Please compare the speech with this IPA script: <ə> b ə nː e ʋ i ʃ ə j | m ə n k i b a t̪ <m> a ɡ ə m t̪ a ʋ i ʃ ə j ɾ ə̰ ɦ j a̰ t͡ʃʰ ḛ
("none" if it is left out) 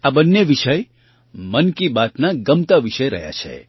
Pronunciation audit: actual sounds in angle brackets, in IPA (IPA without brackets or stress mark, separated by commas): a, n